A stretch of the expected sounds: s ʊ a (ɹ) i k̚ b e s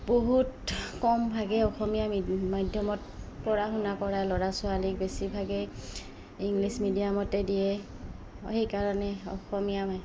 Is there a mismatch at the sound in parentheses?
yes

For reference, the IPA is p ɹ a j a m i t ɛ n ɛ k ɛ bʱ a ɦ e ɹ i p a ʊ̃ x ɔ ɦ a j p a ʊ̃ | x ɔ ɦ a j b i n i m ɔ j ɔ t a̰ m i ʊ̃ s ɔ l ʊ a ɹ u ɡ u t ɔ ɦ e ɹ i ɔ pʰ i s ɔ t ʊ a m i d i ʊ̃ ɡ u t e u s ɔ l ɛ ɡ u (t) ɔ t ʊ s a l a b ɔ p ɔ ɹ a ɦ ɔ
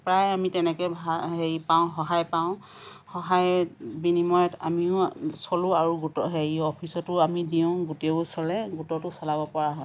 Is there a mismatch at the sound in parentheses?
no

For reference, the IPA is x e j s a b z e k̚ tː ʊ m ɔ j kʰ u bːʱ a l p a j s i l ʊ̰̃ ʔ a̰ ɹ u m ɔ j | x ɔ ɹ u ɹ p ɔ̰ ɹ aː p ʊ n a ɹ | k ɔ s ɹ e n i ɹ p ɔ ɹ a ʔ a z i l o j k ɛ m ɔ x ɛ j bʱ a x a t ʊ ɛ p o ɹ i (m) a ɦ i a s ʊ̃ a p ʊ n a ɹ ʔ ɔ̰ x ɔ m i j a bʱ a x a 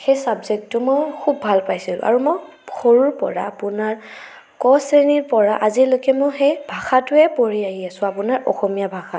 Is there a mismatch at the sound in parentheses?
yes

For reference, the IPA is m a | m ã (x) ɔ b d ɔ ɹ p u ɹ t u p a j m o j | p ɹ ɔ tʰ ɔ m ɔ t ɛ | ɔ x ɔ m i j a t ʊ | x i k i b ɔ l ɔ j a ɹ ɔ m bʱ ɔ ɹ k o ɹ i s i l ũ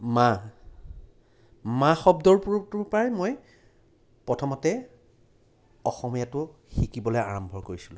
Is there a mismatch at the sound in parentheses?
no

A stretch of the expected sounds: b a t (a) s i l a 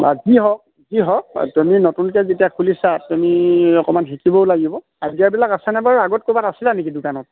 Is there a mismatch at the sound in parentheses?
no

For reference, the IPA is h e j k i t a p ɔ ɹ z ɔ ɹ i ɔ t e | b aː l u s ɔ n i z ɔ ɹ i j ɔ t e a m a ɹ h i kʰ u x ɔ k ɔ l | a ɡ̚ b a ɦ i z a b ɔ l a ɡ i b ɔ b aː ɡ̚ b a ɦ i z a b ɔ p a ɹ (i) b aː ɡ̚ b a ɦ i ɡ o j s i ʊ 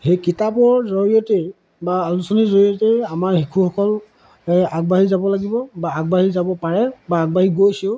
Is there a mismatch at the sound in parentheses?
yes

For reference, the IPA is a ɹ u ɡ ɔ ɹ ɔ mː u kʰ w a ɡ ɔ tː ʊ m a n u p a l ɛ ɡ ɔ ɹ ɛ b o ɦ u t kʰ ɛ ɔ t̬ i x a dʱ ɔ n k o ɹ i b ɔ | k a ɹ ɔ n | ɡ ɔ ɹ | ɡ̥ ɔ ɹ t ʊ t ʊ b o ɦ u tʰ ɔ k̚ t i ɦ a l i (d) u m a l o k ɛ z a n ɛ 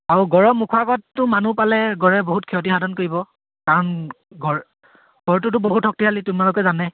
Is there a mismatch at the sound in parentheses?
yes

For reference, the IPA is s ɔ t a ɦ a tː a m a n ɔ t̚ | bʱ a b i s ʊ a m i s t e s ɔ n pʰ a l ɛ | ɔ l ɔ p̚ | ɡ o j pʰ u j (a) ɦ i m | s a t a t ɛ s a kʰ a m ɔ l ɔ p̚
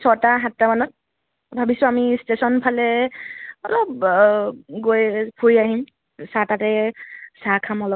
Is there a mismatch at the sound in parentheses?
no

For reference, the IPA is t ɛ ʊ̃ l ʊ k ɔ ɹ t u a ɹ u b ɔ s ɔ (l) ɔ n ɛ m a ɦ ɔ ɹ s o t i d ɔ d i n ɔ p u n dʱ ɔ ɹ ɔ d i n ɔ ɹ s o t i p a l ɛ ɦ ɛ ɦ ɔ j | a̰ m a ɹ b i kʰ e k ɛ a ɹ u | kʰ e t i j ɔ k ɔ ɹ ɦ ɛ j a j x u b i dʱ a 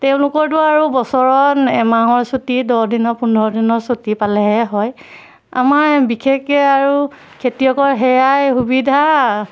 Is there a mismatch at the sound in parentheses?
yes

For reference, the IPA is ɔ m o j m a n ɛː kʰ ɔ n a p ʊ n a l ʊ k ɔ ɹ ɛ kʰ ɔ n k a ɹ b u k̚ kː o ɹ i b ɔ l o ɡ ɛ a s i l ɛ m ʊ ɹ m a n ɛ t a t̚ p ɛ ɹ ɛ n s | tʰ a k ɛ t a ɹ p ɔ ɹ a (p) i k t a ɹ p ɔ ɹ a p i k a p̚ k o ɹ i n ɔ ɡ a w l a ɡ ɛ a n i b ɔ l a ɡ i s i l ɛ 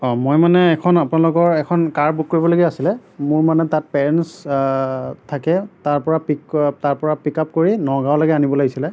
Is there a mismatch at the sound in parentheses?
no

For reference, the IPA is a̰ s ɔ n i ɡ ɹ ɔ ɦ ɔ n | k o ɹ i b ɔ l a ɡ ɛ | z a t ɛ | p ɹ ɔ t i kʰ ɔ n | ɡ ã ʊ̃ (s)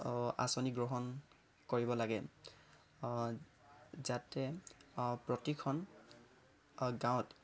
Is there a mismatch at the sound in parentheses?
yes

